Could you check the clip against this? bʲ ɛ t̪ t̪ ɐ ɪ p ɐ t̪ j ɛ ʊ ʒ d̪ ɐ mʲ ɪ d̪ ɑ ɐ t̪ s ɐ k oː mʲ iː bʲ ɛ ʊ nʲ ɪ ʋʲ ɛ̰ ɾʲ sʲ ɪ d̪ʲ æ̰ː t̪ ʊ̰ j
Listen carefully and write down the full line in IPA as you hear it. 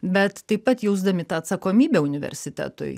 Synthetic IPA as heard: bʲ ɛ t̪ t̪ ɐ ɪ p ɐ t̪ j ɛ ʊ z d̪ ɐ mʲ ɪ t̪ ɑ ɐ t̪ s ɐ k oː mʲ iː bʲ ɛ ʊ nʲ ɪ ʋʲ ɛ̰ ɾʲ sʲ ɪ t̪ʲ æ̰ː t̪ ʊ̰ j

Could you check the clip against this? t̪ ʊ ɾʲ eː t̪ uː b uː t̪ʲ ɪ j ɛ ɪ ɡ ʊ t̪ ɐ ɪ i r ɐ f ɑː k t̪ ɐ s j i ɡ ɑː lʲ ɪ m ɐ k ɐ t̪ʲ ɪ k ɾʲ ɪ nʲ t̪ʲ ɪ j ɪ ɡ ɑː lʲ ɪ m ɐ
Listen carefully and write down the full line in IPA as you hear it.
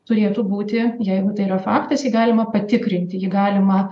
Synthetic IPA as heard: t̪ ʊ ɾʲ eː t̪ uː b uː t̪ʲ ɪ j ɛ ɪ ɡ ʊ t̪ ɐ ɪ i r ɐ f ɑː k t̪ ɐ s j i ɡ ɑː lʲ ɪ m ɐ p ɐ t̪ʲ ɪ k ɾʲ ɪ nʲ t̪ʲ ɪ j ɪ ɡ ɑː lʲ ɪ m ɐ

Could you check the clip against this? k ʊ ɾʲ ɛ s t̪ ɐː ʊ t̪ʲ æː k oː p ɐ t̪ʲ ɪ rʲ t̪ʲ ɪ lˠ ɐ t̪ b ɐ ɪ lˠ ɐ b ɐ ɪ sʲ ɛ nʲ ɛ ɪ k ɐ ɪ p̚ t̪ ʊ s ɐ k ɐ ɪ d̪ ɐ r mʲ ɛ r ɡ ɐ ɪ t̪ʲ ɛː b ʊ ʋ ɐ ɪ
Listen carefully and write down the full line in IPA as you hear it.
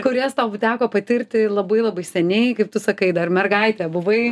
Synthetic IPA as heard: k ʊ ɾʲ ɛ s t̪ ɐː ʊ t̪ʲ æː k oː p ɐ t̪ʲ ɪ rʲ t̪ʲ ɪ lˠ ɐ b ɐ ɪ lˠ ɐ b ɐ ɪ sʲ ɛ nʲ ɛ ɪ k ɐ ɪ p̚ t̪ ʊ s ɐ k ɐ ɪ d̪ ɐ r mʲ ɛ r ɡ ɐ ɪ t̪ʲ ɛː b ʊ ʋ ɐ ɪ

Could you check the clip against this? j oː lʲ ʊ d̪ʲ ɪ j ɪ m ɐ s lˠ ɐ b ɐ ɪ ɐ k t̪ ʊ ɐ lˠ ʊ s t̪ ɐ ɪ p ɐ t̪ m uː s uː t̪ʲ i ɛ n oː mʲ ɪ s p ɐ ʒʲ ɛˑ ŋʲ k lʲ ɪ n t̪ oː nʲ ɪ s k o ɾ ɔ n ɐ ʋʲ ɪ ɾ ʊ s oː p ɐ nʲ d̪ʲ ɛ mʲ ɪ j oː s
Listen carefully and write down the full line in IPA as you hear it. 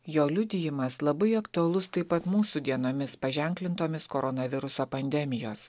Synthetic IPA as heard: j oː lʲ ʊ d̪ʲ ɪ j ɪ m ɐ s lˠ ɐ b ɐ ɪ ɐ k t̪ ʊ ɐ lˠ ʊ s t̪ ɐ ɪ p ɐ t̪ m uː s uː d̪ʲ i ɛ n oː mʲ ɪ s p ɐ ʒʲ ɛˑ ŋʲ k lʲ ɪ n t̪ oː mʲ ɪ s k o ɾ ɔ n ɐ ʋʲ ɪ ɾ ʊ s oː p ɐ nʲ d̪ʲ ɛ mʲ ɪ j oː s

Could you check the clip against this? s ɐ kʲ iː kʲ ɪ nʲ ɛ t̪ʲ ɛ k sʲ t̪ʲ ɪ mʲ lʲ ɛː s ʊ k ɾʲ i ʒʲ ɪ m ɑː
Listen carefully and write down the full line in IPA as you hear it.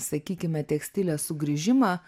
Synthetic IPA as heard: s ɐ kʲ iː kʲ ɪ mʲ ɛ t̪ʲ ɛ k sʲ t̪ʲ ɪ lʲ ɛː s ʊ ɡ ɾʲ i ʒʲ ɪ m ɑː

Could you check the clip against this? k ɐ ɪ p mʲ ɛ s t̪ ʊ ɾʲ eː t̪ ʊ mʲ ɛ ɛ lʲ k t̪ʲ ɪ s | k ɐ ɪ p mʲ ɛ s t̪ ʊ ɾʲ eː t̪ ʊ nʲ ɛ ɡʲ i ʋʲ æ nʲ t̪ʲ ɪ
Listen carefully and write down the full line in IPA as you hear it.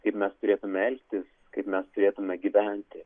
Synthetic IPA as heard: k ɐ ɪ p mʲ ɛ s t̪ ʊ ɾʲ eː t̪ ʊ mʲ ɛ ɛ lʲ k t̪ʲ ɪ s | k ɐ ɪ p mʲ ɛ s t̪ ʊ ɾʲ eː t̪ ʊ mʲ ɛ ɡʲ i ʋʲ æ nʲ t̪ʲ ɪ

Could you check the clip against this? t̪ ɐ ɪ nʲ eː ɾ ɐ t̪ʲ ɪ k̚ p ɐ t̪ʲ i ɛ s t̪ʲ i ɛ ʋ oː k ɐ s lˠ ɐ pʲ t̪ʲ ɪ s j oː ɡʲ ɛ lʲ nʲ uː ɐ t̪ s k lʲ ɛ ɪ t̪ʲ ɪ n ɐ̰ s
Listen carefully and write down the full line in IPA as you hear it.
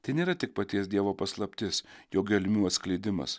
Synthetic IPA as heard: t̪ ɐ ɪ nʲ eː ɾ ɐ t̪ʲ ɪ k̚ p ɐ t̪ʲ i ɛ s d̪ʲ i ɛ ʋ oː p ɐ s lˠ ɐ pʲ t̪ʲ ɪ s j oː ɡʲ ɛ lʲ mʲ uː ɐ t̪ s k lʲ ɛ ɪ d̪ʲ ɪ m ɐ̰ s

